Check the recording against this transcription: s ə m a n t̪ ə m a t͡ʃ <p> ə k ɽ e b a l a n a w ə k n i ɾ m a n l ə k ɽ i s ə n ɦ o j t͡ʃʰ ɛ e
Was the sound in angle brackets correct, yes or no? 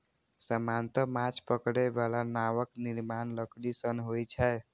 yes